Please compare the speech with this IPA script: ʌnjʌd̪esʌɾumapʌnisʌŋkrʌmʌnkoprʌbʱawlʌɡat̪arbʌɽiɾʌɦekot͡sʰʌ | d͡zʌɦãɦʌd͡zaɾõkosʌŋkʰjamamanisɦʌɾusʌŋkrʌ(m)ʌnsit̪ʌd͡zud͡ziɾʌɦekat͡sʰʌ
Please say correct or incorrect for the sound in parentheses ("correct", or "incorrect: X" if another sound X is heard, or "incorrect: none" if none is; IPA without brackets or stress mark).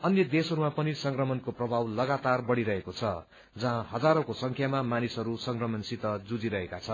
correct